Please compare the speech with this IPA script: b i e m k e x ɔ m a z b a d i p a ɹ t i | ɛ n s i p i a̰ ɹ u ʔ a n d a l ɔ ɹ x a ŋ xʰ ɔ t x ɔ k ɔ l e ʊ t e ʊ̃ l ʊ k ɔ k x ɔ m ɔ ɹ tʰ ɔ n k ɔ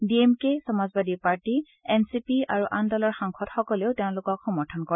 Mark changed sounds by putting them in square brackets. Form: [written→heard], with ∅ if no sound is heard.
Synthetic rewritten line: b i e m k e [x→s] ɔ m a z b a d i p a ɹ t i | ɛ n s i p i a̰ ɹ u ʔ a n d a l ɔ ɹ x a ŋ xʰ ɔ t x ɔ k ɔ l e ʊ t e ʊ̃ l ʊ k ɔ k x ɔ m ɔ ɹ tʰ ɔ n k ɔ